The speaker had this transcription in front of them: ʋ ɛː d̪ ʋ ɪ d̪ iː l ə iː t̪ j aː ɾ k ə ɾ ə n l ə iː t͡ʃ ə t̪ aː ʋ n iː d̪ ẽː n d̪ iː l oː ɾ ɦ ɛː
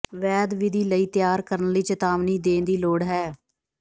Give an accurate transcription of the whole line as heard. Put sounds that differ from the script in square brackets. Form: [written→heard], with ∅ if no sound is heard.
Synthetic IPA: ʋ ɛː d̪ ʋ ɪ d̪ iː l ə iː t̪ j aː ɾ k ə ɾ ə n l ə iː t͡ʃ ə t̪ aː ʋ n iː d̪ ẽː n d̪ iː l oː [ɾ→ɽ] ɦ ɛː